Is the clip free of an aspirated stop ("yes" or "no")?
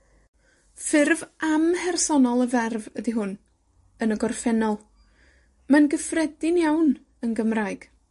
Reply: yes